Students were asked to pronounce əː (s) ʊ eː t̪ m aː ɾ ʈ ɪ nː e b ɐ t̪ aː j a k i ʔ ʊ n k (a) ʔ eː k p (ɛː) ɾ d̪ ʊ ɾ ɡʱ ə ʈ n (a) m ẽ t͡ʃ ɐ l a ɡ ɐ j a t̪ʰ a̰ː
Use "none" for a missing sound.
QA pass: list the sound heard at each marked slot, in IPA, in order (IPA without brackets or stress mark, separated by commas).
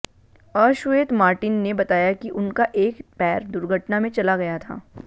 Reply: ʃ, a, ɛː, a